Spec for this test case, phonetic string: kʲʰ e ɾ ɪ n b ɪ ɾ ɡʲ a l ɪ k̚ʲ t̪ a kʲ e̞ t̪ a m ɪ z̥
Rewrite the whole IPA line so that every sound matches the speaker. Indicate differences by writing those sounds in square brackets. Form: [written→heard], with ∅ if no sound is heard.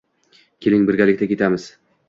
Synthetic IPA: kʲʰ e [ɾ→l] ɪ [n→ŋ] b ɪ ɾ ɡʲ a l ɪ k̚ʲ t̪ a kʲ e̞ t̪ a m ɪ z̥